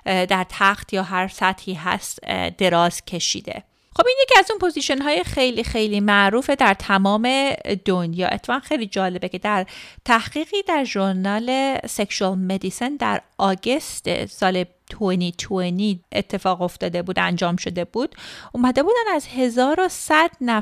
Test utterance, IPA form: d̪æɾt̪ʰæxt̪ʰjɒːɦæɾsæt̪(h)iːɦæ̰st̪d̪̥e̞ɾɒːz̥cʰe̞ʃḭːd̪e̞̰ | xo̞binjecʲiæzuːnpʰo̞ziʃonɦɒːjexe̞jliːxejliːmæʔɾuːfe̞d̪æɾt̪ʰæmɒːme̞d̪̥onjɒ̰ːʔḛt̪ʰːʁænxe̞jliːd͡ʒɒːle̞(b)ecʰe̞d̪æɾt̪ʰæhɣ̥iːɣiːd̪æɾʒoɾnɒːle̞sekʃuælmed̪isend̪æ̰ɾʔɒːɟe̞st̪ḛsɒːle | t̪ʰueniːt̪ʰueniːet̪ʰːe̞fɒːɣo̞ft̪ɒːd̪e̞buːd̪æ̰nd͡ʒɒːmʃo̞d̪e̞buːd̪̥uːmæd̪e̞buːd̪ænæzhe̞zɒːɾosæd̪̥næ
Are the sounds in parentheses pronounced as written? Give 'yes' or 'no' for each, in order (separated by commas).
yes, yes